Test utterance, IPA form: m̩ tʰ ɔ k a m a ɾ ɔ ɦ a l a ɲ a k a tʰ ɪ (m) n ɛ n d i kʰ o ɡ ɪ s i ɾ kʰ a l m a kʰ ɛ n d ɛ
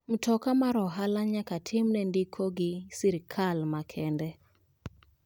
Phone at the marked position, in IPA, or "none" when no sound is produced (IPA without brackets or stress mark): m